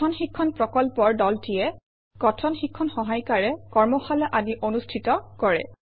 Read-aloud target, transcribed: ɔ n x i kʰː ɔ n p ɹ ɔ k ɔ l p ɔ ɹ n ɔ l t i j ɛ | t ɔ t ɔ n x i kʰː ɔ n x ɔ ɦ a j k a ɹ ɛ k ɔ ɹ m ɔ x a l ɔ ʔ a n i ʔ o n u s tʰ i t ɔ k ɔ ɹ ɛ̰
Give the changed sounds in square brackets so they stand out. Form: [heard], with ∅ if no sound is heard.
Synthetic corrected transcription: ɔ n x i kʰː ɔ n p ɹ ɔ k ɔ l p ɔ ɹ [d] ɔ l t i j ɛ | [k] ɔ [tʰ] ɔ n x i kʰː ɔ n x ɔ ɦ a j k a ɹ ɛ k ɔ ɹ m ɔ x a l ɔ ʔ a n i ʔ o n u s tʰ i t ɔ k ɔ ɹ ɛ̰

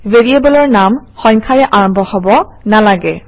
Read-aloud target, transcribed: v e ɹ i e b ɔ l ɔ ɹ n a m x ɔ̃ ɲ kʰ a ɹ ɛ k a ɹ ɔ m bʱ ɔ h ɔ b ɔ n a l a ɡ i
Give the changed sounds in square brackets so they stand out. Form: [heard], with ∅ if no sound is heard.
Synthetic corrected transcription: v e ɹ i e b ɔ l ɔ ɹ n a m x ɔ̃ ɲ kʰ a ɹ ɛ [ʔ] a ɹ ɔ m bʱ ɔ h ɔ b ɔ n a l a ɡ [ɛ]

